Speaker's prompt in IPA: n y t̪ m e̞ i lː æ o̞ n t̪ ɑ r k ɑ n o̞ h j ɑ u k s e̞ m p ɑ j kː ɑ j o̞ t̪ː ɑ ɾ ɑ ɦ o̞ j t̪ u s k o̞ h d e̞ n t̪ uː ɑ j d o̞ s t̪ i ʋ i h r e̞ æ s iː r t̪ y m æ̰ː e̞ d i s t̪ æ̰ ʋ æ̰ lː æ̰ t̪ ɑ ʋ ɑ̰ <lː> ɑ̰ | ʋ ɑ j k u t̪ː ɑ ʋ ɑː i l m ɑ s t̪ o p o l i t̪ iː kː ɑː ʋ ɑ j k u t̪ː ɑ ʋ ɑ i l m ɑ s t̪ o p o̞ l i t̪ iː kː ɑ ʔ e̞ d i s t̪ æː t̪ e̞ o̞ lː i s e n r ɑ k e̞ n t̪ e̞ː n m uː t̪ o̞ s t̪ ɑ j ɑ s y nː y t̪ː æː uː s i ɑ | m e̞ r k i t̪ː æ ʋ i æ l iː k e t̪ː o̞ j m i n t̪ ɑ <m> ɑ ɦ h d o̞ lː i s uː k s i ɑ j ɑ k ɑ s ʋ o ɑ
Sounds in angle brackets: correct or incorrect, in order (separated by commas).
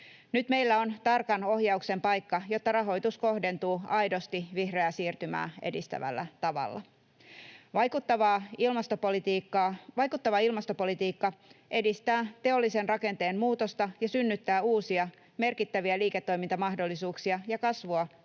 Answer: correct, correct